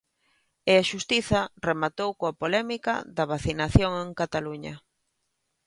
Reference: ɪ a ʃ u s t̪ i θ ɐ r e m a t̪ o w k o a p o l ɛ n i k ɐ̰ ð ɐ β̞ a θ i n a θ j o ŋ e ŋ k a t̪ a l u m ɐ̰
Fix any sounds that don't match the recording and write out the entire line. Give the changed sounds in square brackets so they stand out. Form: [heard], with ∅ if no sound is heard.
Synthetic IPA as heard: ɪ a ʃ u s t̪ i θ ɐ r e m a t̪ o w k o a p o l ɛ [m] i k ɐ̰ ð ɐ β̞ a θ i n a θ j o ŋ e ŋ k a t̪ a l u [ɲ] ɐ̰